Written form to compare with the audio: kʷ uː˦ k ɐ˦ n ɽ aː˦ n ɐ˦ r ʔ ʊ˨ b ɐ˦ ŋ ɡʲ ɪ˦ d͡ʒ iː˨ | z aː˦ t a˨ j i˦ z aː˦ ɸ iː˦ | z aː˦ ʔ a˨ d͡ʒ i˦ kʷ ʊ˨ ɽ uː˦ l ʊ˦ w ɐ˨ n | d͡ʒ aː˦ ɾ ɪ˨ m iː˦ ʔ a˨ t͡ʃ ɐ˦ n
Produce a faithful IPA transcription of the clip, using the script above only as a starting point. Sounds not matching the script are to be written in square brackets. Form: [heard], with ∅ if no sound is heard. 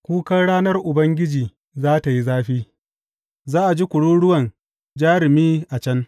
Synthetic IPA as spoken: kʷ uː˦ k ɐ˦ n ɽ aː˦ n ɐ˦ r ʔ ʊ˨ b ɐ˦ ŋ ɡʲ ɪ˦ d͡ʒ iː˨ | z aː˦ t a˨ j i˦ z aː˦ ɸ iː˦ | z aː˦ ʔ a˨ d͡ʒ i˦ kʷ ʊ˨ ɽ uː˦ [ɽ] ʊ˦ w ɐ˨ n | d͡ʒ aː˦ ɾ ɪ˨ m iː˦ ʔ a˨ t͡ʃ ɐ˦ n